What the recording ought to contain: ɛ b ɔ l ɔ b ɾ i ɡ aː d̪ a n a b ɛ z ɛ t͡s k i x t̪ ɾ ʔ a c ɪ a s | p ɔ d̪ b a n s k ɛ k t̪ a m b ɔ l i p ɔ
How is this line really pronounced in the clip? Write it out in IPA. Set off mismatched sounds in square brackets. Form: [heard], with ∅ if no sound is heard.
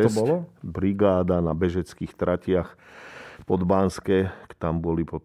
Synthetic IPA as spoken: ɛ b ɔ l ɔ b ɾ i ɡ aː d̪ a n a b ɛ [ʒ] ɛ t͡s k i x t̪ ɾ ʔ a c ɪ a [x] | p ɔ d̪ b a n s k ɛ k t̪ a m b ɔ l i p ɔ